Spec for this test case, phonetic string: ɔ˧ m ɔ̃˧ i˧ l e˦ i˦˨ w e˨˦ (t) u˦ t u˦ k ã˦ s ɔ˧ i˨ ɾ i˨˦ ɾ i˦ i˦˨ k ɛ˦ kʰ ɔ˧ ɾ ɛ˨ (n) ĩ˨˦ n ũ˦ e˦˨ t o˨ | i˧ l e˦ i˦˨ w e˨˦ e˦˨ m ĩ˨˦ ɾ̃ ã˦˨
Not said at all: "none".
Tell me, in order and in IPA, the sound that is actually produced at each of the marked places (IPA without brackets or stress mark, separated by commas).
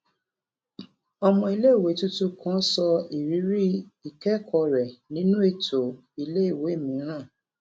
t, n